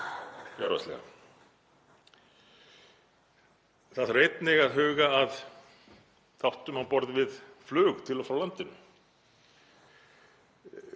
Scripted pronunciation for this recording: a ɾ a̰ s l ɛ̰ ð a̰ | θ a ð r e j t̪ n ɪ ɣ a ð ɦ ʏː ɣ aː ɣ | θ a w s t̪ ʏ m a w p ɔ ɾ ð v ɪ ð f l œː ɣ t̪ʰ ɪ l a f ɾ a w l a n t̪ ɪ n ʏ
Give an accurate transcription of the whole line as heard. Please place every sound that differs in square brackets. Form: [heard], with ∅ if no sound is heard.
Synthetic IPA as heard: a ɾ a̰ s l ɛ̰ [ɣ] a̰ | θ a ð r e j t̪ n ɪ ɣ a ð ɦ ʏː ɣ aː [ð] | θ a w [h] t̪ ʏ m a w p ɔ ɾ ð v ɪ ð f l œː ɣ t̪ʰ ɪ l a f ɾ a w l a n t̪ ɪ n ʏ

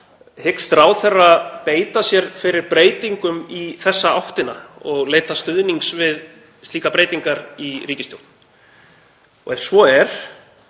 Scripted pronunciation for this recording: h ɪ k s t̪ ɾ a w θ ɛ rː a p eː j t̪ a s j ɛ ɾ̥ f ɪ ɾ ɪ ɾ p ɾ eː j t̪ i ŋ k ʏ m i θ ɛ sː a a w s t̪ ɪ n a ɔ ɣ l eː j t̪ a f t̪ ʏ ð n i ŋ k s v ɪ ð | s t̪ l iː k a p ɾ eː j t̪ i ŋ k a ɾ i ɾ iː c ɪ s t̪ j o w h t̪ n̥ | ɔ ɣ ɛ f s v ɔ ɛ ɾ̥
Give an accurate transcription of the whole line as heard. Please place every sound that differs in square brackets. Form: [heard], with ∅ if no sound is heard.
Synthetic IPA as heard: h ɪ k s t̪ ɾ a w θ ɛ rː a p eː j t̪ a s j ɛ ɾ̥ f ɪ ɾ ɪ ɾ p ɾ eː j t̪ i ŋ k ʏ m i θ ɛ sː a a w [h] t̪ ɪ n a ɔ ɣ l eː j t̪ a [s] t̪ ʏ ð n i ŋ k s v ɪ ð | s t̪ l iː k a p ɾ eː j t̪ i ŋ k a ɾ i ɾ iː c ɪ s t̪ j o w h t̪ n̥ | ɔ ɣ ɛ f s v ɔ ɛ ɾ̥

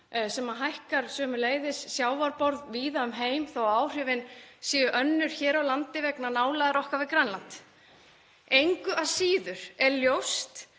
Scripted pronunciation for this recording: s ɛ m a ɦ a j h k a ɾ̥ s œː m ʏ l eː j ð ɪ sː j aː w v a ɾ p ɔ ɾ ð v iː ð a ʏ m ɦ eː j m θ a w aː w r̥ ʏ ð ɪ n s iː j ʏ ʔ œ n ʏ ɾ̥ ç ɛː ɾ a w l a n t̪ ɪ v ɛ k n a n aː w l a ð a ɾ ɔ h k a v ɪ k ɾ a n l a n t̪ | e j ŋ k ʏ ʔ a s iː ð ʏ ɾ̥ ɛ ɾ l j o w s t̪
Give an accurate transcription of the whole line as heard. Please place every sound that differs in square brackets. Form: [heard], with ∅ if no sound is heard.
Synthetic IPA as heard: s ɛ m a ɦ a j h k a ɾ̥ s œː m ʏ l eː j ð ɪ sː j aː w v a ɾ p ɔ ɾ ð v iː ð a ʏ m ɦ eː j m θ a w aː w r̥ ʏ [v] ɪ n s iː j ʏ ʔ œ [nː] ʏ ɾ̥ ç ɛː ɾ a w l a n t̪ ɪ v ɛ k n a n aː w l a ð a ɾ ɔ h k a v ɪ k ɾ a n l a n t̪ | e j ŋ k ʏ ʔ a s iː ð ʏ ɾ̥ ɛ ɾ l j o w s t̪

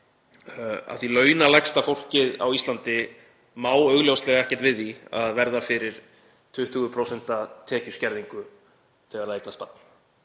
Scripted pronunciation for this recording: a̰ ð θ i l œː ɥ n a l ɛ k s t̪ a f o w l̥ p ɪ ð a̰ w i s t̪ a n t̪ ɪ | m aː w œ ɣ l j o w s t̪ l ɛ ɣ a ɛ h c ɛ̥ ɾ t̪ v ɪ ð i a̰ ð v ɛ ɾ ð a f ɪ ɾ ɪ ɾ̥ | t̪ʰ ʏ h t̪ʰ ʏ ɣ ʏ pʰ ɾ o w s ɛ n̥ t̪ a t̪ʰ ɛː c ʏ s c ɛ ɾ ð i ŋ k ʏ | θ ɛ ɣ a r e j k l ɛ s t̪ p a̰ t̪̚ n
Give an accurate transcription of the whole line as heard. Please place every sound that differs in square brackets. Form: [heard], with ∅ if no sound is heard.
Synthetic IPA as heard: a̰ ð θ i l œː ɥ n a l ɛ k s t̪ a f o w l̥ [c] ɪ ð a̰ w i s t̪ a n t̪ ɪ | m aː w œ ɣ l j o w s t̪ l ɛ ɣ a ɛ h c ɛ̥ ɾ t̪ v ɪ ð i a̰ ð v ɛ ɾ ð a f ɪ ɾ ɪ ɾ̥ | t̪ʰ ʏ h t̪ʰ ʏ ɣ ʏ pʰ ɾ o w s ɛ n̥ t̪ a t̪ʰ ɛː c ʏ s c ɛ ɾ ð i ŋ k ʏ | θ ɛ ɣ a [ɾ] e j k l [a] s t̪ p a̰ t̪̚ n

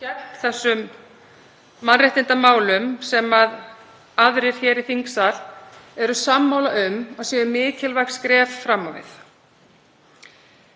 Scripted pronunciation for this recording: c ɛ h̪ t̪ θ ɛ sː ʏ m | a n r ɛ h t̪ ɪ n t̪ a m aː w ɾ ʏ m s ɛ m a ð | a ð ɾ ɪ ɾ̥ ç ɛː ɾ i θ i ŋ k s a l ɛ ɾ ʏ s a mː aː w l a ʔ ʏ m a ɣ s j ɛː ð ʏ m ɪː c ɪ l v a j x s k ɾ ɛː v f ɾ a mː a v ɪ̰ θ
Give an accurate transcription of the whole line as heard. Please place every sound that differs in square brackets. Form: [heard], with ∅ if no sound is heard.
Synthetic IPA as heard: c ɛ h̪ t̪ θ ɛ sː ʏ m | a n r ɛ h t̪ ɪ n t̪ a m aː w [l] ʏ m s ɛ m a ð | a ð ɾ ɪ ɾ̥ ç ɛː ɾ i θ i ŋ k s a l ɛ ɾ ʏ s a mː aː w l a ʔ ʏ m a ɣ s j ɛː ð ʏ m ɪː c ɪ l v a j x s k ɾ ɛː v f ɾ a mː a v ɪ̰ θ

